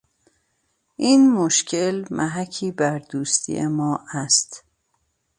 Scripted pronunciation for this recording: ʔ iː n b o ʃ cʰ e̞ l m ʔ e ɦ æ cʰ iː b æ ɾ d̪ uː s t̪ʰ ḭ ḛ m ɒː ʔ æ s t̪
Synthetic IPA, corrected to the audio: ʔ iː n m o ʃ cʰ e̞ l m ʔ æ ɦ æ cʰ iː b æ ɾ d̪ uː s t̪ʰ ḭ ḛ m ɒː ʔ æ s t̪